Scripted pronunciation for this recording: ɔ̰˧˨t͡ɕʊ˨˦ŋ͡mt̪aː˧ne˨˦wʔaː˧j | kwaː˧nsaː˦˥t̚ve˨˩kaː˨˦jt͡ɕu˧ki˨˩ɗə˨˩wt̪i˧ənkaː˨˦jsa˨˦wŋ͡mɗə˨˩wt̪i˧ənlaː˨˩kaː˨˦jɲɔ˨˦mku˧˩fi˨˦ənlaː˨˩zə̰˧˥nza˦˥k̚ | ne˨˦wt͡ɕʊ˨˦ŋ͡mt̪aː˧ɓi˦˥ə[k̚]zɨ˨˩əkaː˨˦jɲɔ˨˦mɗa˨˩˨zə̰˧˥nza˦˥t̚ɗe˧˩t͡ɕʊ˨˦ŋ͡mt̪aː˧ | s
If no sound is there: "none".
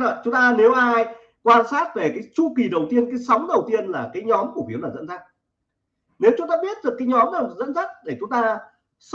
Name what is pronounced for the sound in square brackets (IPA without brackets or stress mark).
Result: t̚